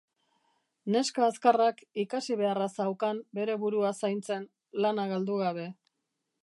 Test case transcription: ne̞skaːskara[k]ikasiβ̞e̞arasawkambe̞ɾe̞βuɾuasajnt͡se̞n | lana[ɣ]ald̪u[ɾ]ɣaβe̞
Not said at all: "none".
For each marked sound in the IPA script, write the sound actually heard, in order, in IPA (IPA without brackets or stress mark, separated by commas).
k, ɣ, none